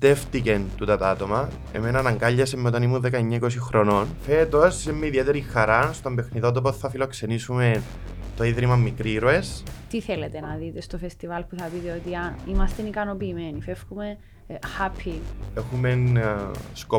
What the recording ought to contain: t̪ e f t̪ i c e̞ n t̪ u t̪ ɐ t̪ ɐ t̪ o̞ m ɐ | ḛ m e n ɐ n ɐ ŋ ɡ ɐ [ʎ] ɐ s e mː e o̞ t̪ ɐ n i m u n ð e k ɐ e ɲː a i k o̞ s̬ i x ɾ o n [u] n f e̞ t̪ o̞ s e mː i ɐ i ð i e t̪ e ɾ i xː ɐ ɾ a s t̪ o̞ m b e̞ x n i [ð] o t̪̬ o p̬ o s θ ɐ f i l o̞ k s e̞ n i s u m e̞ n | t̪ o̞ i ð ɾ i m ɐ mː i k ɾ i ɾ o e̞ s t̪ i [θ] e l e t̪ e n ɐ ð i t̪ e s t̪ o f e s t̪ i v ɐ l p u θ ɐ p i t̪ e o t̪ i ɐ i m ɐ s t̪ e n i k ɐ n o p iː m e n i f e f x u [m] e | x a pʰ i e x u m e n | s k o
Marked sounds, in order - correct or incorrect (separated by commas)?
incorrect, incorrect, correct, correct, correct